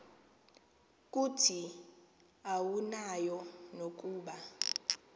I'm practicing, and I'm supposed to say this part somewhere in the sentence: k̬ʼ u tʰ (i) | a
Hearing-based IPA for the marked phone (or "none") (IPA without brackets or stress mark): i